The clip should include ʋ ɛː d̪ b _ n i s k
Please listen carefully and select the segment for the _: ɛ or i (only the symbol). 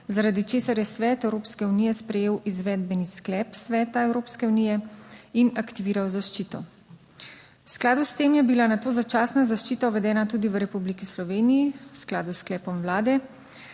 ɛ